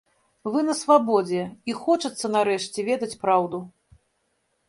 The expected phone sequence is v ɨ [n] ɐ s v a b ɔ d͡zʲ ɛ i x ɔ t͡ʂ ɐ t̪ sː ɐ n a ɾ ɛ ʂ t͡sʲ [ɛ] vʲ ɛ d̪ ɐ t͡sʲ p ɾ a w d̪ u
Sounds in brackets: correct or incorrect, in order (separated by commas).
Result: correct, correct